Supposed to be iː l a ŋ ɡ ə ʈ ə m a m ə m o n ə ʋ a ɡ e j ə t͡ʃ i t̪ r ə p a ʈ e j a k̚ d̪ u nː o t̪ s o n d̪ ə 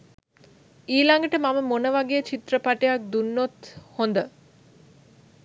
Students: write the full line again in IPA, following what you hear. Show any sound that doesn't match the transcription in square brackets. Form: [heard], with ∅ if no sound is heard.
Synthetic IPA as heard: iː l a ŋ ɡ ə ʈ ə m a m ə m o n ə ʋ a ɡ e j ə t͡ʃ i t̪ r ə p a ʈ e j a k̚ d̪ u nː o t̪ [h] o n d̪ ə